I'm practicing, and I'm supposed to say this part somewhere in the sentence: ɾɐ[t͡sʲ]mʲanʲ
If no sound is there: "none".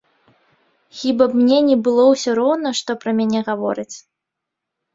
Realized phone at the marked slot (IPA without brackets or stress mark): none